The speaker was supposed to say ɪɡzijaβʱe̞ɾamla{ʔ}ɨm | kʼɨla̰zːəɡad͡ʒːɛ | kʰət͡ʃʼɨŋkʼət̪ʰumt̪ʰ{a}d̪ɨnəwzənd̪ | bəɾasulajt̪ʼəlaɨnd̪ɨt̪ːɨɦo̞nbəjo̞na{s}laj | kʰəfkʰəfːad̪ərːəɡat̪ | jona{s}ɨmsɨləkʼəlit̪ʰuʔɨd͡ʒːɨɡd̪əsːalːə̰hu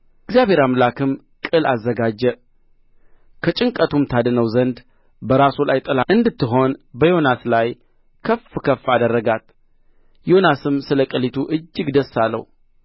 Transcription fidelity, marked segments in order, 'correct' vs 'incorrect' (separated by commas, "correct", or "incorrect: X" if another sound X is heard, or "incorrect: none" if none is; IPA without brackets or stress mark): incorrect: k, correct, correct, correct